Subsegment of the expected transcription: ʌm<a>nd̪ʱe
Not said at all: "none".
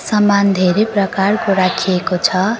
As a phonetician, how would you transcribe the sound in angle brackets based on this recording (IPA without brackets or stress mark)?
a